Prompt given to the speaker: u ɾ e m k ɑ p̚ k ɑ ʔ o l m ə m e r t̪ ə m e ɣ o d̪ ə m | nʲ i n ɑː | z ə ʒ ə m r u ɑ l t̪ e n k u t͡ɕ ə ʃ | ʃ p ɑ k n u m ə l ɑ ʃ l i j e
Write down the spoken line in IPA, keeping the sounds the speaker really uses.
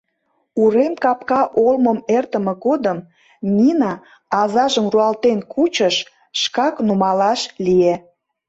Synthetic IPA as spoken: u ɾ e m k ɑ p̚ k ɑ ʔ o l m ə m e r t̪ ə m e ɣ o d̪ ə m | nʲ i n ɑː | z ɑ ʒ ə m r u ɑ l t̪ e n k u t͡ɕ ə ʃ | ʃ k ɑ k n u m ɑ l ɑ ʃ l i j e